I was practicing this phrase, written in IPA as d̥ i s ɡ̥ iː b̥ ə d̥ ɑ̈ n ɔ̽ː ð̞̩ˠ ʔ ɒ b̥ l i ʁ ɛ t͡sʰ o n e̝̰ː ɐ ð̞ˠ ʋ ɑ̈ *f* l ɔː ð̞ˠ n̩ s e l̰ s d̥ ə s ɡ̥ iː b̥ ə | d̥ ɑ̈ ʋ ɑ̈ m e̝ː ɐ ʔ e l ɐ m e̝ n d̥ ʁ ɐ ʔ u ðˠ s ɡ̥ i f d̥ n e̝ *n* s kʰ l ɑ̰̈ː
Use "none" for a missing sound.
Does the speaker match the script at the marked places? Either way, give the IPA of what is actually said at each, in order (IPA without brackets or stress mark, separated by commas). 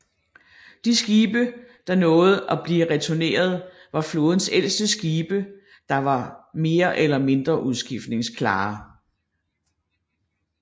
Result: f, ŋ